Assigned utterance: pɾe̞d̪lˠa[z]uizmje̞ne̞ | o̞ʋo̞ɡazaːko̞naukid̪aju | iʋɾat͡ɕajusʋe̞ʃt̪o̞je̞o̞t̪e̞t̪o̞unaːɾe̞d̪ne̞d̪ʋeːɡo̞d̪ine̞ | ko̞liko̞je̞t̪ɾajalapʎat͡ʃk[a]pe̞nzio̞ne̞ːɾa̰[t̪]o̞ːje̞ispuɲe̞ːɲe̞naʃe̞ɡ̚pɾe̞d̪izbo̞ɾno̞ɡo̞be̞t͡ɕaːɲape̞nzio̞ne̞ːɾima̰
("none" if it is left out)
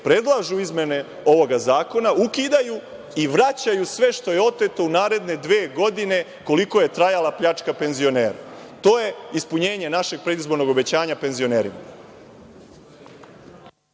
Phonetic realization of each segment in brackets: ʒ, a, t̪

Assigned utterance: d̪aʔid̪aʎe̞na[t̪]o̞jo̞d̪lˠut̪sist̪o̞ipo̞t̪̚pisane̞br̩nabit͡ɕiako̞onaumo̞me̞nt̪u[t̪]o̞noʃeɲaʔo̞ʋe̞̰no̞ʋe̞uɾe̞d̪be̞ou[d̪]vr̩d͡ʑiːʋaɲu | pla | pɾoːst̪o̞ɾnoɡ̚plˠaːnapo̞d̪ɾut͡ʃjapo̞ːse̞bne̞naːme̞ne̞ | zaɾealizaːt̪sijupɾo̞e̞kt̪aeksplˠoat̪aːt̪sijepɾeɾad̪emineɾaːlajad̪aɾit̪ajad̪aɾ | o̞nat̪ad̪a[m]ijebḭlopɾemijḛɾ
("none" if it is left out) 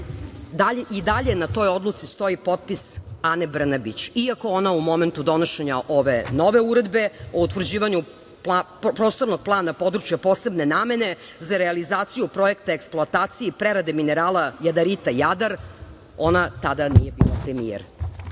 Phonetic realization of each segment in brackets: t̪, d̪, t̪, n

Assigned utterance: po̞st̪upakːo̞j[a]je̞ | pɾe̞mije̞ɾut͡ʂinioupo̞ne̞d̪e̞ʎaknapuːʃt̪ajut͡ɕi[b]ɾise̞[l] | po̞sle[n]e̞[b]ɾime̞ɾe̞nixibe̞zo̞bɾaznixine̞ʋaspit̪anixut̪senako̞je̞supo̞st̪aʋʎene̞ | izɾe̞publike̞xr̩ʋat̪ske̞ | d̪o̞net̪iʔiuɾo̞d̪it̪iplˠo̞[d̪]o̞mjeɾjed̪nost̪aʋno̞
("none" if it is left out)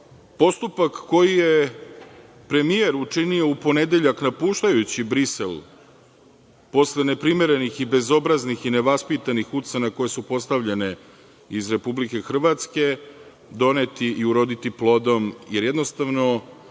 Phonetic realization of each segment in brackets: i, b, l, n, p, d̪

